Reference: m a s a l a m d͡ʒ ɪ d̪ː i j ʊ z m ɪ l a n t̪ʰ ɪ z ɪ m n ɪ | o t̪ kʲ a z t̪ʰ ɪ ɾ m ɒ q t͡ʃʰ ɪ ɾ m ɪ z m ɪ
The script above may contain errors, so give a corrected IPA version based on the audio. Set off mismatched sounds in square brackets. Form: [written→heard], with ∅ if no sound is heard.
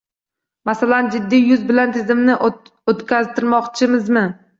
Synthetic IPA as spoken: m a s a l a [m→n] d͡ʒ ɪ d̪ː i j ʊ z [m→b] ɪ l a n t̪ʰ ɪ z ɪ m n ɪ | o t̪ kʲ a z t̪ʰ ɪ ɾ m ɒ q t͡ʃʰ ɪ [ɾ→∅] m ɪ z m ɪ